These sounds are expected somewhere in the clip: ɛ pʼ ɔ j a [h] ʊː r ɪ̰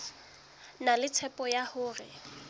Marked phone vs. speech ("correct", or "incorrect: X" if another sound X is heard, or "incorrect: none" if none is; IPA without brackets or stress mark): correct